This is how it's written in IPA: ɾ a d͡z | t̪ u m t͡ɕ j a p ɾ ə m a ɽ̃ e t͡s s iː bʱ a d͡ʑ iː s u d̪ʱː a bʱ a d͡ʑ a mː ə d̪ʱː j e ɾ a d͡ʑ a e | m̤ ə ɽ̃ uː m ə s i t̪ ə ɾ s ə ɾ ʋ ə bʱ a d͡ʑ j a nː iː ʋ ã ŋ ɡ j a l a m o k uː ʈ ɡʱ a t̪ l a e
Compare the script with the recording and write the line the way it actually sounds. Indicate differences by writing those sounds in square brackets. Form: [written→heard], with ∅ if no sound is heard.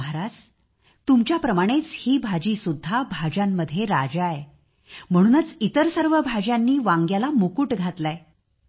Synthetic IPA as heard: ɾ a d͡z | t̪ u m t͡ɕ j a p ɾ ə m a ɽ̃ e t͡s [s→h] iː bʱ a d͡ʑ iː s u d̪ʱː a bʱ a d͡ʑ a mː ə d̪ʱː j e ɾ a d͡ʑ a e | m̤ ə ɽ̃ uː [m→n] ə [s→t͡s] i t̪ ə ɾ s ə ɾ ʋ ə bʱ a d͡ʑ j a nː iː ʋ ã ŋ ɡ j a l a m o k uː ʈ ɡʱ a t̪ l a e